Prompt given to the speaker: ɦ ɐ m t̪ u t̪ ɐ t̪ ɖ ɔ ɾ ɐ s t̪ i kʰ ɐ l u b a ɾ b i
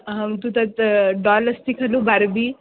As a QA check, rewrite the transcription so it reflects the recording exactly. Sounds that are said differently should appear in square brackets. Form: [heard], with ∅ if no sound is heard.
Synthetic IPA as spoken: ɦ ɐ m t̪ u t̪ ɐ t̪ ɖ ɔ [l] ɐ s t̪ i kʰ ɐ l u b a ɾ b i